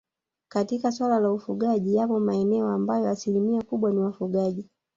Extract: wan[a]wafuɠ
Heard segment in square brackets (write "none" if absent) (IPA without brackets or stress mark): i